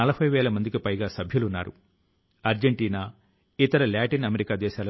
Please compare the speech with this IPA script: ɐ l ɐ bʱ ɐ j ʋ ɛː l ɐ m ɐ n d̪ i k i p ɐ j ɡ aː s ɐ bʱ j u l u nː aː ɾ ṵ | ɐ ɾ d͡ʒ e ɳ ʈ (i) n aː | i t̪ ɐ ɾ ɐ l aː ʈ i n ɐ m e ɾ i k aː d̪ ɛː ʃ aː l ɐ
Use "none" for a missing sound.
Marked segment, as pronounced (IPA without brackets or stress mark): iː